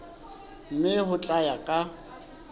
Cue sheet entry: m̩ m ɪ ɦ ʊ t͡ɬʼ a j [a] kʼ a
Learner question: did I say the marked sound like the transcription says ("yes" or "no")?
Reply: yes